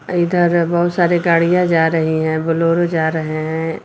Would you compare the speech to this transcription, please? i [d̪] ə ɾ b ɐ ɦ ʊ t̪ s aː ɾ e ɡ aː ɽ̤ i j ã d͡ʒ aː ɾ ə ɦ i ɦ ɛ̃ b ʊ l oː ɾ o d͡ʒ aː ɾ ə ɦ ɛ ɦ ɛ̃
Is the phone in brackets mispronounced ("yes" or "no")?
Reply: no